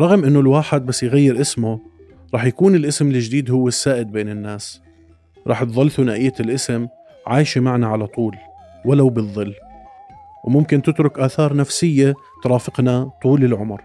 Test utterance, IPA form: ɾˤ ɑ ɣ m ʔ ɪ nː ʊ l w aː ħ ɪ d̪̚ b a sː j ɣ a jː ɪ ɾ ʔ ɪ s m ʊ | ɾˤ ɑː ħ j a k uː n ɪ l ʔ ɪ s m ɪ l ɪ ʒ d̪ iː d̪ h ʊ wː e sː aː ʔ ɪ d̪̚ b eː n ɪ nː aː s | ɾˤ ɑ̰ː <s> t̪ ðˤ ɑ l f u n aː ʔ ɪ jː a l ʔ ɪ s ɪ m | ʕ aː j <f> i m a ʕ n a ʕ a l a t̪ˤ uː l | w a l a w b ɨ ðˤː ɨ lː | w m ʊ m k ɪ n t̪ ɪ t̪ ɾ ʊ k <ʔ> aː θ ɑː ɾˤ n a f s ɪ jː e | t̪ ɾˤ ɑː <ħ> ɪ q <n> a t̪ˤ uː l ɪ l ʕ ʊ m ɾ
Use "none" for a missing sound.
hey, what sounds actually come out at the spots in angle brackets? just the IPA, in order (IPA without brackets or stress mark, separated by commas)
ħ, ʃ, ʔ, f, n